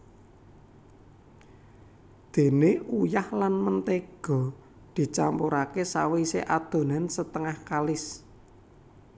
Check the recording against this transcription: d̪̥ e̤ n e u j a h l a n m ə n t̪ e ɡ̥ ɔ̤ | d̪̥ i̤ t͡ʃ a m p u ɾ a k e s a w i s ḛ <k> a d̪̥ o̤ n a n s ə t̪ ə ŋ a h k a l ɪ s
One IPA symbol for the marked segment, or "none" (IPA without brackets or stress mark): ʔ